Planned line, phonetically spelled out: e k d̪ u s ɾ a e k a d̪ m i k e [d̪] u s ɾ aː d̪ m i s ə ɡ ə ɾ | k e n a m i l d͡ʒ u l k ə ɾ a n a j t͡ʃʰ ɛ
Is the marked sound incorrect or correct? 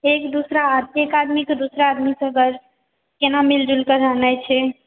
correct